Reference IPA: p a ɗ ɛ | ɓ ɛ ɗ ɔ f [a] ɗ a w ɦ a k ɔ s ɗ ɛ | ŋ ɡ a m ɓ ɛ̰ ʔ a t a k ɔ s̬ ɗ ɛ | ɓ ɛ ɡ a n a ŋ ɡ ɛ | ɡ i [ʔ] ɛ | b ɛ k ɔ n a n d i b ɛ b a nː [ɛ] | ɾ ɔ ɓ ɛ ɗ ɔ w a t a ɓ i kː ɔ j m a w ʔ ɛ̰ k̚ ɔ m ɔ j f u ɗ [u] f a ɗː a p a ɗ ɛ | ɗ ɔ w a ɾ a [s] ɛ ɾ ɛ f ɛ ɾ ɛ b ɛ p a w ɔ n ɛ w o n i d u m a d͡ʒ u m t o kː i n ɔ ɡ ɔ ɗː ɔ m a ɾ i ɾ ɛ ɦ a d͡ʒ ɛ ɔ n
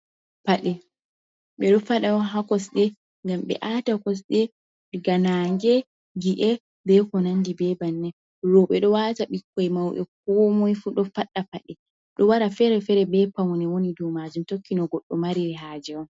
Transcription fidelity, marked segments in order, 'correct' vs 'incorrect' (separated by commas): correct, correct, correct, incorrect, incorrect